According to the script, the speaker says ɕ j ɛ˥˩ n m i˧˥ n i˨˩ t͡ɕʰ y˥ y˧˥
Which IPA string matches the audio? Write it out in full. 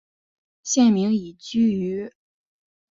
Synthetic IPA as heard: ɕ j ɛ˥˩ n m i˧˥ ŋ i˨˩ t͡ɕ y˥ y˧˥